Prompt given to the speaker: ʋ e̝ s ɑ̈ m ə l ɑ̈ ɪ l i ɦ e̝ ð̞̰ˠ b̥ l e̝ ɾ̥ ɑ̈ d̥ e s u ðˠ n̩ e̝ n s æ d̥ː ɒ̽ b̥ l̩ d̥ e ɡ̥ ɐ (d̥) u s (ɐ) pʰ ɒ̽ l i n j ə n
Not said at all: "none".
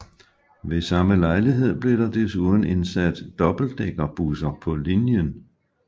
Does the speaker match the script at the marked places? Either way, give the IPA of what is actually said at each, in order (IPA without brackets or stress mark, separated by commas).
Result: b̥, ɐ